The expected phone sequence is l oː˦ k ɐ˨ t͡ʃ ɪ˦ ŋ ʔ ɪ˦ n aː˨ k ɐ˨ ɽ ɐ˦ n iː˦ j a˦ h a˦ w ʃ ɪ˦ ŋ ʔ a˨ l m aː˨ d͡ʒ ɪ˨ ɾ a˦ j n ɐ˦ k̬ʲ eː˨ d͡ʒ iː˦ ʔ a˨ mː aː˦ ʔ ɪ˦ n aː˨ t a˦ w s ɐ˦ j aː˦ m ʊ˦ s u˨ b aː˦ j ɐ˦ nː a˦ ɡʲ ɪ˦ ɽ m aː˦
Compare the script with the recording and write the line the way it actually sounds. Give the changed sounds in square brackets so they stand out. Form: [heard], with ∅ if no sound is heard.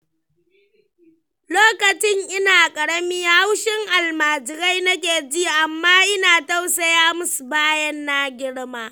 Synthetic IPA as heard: l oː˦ k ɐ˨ t͡ʃ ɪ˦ ŋ ʔ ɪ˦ n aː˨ [kʼ] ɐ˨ ɽ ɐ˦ [m] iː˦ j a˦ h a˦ w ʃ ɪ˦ ŋ ʔ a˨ l m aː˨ d͡ʒ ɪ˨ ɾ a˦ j n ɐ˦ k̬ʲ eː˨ d͡ʒ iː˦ ʔ a˨ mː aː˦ ʔ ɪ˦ n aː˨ t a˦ w s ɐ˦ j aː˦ m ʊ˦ s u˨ b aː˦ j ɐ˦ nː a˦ ɡʲ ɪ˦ ɽ m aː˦